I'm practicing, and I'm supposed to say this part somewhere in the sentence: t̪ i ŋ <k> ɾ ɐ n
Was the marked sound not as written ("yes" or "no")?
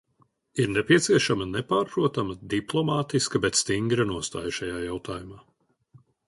yes